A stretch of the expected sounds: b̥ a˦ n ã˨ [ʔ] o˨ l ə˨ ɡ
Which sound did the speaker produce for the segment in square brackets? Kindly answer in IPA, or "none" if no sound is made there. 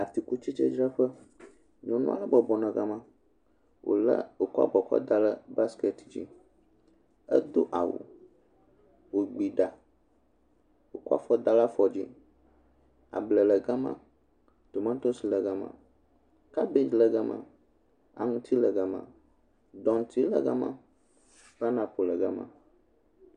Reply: p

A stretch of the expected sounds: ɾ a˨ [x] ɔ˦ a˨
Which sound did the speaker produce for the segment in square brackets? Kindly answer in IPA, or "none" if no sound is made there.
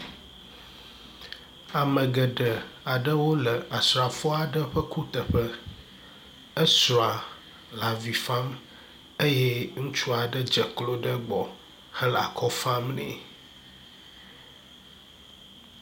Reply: f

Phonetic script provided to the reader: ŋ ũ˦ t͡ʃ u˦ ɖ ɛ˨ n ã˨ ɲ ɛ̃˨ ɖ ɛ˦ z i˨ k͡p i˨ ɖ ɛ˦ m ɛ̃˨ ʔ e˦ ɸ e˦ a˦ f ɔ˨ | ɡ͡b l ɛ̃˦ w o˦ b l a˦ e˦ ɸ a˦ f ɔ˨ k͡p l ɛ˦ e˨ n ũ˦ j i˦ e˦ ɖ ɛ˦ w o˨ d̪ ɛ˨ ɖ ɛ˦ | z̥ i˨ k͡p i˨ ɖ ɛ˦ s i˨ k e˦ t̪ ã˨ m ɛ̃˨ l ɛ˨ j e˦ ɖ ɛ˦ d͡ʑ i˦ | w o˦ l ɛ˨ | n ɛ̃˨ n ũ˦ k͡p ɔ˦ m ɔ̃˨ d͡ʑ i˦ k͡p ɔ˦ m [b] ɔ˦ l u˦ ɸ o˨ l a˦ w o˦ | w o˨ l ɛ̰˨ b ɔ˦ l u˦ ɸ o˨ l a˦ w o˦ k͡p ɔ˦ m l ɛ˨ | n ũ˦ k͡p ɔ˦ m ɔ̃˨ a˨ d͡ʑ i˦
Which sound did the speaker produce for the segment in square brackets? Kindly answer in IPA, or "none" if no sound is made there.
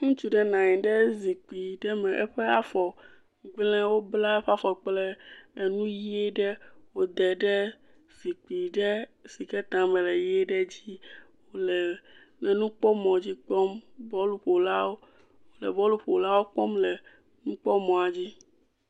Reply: b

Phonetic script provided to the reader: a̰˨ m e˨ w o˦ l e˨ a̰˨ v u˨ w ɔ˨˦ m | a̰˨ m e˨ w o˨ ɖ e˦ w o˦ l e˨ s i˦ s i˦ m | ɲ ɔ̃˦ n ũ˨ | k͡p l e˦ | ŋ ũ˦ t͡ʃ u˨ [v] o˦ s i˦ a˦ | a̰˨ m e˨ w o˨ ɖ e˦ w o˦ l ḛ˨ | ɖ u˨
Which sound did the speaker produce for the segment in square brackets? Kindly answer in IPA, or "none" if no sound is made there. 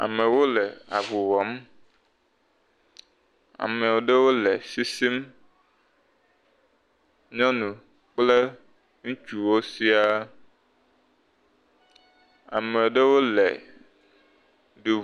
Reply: w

